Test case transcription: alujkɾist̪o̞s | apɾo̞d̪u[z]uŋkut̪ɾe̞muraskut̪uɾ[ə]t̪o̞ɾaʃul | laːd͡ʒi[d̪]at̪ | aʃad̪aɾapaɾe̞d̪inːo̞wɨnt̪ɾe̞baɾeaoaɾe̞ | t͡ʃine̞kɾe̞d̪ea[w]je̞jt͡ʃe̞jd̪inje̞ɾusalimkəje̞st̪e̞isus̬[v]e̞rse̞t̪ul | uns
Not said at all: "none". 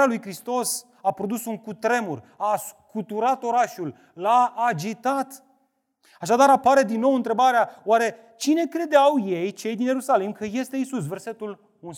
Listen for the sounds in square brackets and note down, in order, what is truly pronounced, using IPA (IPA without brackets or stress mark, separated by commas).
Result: s, a, t̪, w, v